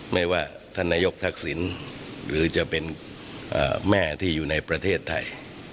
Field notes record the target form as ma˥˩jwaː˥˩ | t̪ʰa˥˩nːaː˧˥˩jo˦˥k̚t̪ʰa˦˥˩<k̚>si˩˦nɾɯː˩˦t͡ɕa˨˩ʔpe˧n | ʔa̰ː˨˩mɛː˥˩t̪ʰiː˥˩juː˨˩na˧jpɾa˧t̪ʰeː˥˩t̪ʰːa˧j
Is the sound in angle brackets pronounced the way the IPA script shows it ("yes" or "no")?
yes